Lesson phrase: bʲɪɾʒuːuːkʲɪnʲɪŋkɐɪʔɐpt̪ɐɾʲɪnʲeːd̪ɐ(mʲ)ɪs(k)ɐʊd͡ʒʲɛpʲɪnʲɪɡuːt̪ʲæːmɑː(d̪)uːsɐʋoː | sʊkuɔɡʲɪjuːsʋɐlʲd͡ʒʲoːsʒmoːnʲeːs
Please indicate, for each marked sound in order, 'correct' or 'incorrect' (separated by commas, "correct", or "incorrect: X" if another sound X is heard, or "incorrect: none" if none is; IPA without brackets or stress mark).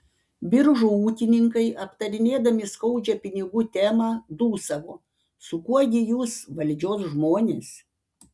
correct, correct, correct